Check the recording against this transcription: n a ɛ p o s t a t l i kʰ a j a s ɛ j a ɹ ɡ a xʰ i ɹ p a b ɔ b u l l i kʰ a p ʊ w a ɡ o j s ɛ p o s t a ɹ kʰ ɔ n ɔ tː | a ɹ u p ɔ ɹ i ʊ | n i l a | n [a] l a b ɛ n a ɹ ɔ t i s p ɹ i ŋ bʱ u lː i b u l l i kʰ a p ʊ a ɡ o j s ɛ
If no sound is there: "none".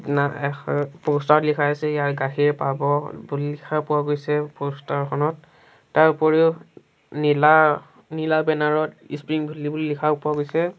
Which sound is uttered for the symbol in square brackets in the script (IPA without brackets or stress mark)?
i